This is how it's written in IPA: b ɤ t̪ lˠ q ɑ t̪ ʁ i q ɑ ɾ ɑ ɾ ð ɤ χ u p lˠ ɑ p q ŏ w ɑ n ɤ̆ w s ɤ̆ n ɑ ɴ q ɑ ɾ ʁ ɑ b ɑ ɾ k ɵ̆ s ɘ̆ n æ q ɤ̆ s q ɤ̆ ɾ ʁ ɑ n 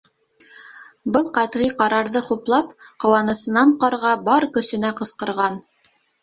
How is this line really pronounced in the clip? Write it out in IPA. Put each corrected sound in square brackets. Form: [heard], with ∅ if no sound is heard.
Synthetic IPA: b ɤ [∅] lˠ q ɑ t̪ ʁ i q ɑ ɾ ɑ ɾ ð ɤ χ u p lˠ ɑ p q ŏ w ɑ n ɤ̆ [∅] s ɤ̆ n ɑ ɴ q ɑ ɾ ʁ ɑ b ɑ ɾ k ɵ̆ s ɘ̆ n æ q ɤ̆ s q ɤ̆ ɾ ʁ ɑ n